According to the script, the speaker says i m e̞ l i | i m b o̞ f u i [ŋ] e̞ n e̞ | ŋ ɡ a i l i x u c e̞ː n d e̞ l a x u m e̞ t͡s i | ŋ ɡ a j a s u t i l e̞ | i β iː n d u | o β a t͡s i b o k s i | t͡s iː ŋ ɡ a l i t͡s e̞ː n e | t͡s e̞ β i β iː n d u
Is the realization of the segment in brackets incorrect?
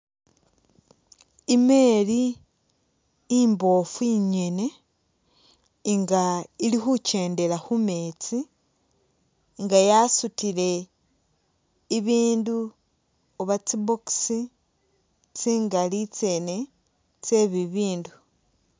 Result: yes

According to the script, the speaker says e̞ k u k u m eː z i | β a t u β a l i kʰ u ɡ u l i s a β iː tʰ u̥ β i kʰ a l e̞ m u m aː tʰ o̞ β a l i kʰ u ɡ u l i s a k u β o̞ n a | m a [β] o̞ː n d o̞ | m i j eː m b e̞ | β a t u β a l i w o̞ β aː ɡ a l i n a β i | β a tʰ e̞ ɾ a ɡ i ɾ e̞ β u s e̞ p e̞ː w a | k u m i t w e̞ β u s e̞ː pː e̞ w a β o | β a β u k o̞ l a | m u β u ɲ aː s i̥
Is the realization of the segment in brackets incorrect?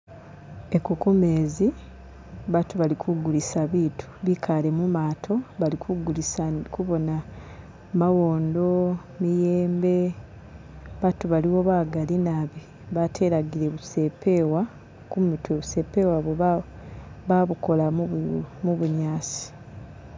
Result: yes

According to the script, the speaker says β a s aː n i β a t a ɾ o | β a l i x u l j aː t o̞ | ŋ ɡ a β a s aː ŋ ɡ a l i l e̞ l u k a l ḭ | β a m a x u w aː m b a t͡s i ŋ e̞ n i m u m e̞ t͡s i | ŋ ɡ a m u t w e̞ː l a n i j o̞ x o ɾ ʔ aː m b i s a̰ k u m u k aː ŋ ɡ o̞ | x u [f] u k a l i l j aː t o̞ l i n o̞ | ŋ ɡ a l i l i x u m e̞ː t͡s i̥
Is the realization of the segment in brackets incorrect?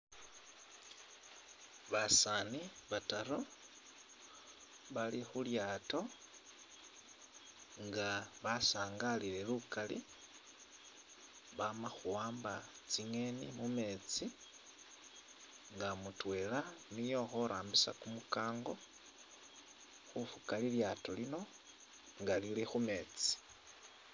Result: no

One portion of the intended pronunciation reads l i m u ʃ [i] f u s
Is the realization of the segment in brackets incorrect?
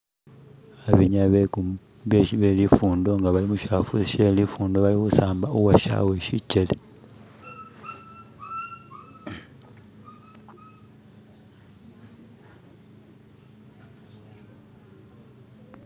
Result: yes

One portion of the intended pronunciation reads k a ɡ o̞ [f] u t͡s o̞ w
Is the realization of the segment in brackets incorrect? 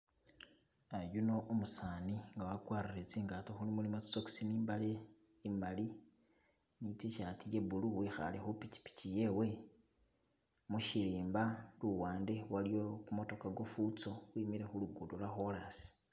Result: no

